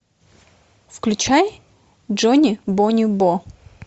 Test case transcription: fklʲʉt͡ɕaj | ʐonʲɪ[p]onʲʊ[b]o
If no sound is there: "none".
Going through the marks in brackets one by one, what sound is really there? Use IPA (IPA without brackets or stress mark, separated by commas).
b, b